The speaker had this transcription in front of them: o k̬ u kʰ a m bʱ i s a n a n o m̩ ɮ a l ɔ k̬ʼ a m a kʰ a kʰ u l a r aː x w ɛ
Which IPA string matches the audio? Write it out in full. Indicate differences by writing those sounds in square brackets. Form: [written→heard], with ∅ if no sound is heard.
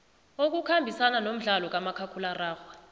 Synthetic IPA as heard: o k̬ u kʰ a m bʱ i s a n a n o m̩ ɮ a l ɔ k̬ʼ a m a kʰ a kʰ u l a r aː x w [ɛ→a]